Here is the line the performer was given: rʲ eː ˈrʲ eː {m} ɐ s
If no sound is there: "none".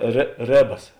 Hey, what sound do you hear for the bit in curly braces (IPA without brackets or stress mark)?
b